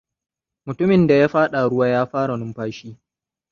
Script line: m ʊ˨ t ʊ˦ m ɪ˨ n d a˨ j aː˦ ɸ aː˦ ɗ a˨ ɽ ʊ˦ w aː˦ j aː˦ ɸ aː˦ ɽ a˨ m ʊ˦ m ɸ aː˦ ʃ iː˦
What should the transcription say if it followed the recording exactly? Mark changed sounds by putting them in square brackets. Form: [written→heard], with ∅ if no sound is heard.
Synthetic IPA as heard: m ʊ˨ t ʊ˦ m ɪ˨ n d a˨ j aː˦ ɸ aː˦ ɗ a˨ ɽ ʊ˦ w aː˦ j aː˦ ɸ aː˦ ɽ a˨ [m→n] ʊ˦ m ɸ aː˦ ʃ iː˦